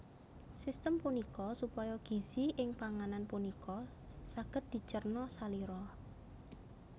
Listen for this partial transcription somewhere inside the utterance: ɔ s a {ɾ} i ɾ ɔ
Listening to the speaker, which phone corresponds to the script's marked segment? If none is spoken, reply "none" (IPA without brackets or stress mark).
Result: l